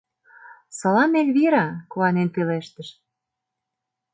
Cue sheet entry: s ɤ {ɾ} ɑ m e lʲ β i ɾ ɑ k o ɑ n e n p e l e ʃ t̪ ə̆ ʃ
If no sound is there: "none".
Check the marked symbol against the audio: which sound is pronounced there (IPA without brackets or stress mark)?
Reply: l